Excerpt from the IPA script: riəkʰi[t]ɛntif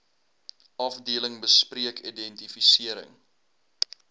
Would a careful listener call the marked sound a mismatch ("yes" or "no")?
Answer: yes